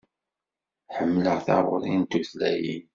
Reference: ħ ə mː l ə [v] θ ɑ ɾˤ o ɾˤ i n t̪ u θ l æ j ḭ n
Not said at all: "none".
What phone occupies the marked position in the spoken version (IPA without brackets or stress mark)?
ʁ